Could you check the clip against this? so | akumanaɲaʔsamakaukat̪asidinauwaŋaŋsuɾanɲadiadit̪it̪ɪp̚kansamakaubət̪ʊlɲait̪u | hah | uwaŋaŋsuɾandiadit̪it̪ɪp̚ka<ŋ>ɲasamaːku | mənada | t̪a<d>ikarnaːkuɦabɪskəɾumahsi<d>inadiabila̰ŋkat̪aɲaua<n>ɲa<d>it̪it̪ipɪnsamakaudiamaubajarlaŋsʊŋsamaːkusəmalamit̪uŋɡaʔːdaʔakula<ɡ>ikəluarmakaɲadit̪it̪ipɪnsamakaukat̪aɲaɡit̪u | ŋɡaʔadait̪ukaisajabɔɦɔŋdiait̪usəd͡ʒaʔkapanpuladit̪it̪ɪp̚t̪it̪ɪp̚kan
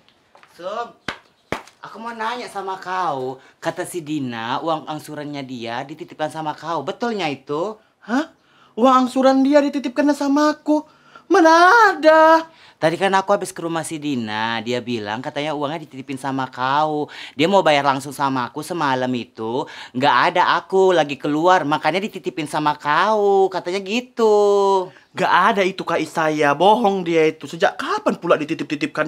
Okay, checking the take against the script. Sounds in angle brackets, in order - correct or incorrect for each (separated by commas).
incorrect, correct, correct, incorrect, correct, correct